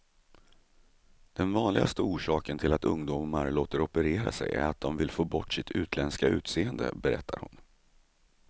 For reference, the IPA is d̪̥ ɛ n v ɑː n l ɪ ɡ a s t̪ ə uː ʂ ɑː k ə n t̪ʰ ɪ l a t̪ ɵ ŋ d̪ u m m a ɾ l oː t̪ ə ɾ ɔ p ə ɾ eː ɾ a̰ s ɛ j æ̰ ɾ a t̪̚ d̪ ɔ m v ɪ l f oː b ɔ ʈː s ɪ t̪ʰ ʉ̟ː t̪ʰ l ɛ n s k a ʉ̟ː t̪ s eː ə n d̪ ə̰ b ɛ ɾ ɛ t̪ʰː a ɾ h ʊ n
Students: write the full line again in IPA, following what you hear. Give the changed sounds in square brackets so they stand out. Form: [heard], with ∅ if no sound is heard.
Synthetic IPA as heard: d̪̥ ɛ n v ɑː n l ɪ ɡ a s t̪ ə uː ʂ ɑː k ə n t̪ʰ ɪ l a t̪ ɵ ŋ d̪ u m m a ɾ l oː t̪ ə ɾ ɔ p ə ɾ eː ɾ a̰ s ɛ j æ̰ ɾ a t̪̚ d̪ ɔ m v ɪ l f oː b ɔ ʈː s ɪ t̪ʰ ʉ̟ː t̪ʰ l ɛ n s k a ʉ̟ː t̪ s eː ə n d̪ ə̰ b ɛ ɾ ɛ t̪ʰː a ɾ h ʊ n